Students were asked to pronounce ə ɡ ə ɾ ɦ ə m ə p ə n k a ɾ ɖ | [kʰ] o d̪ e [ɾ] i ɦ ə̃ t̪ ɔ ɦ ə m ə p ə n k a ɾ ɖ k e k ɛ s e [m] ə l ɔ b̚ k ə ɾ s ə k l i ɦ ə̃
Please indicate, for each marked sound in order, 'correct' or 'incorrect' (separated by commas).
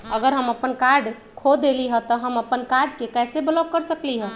correct, incorrect, incorrect